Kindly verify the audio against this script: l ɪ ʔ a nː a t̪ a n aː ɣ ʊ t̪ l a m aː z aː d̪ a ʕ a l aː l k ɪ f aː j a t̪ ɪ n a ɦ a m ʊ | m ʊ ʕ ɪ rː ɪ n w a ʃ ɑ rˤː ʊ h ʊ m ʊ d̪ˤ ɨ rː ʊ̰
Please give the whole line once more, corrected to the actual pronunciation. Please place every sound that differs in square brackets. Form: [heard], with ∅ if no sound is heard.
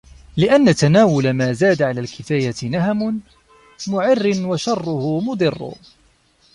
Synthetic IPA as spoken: l ɪ ʔ a nː a t̪ a n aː [w] ʊ [∅] l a m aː z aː d̪ a ʕ a l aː l k ɪ f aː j a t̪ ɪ n a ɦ a m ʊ | m ʊ ʕ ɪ rː ɪ n w a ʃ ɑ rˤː ʊ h ʊ m ʊ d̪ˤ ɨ rː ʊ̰